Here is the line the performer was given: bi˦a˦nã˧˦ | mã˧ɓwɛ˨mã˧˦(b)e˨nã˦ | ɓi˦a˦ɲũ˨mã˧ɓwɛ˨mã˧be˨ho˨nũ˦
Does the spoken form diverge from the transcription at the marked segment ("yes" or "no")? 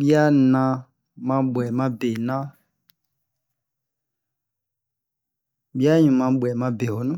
no